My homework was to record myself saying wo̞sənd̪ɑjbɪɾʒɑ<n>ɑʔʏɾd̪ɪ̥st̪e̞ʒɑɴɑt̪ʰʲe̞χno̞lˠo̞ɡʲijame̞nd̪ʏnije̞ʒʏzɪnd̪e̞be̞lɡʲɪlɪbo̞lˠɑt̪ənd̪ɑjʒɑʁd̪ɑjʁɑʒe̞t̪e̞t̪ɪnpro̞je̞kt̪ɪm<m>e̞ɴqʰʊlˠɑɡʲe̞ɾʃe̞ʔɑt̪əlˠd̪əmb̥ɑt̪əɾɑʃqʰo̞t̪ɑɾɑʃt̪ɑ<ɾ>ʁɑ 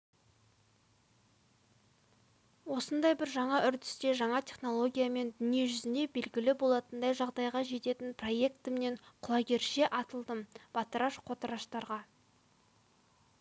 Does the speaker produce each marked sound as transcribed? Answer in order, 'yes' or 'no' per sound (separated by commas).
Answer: no, no, yes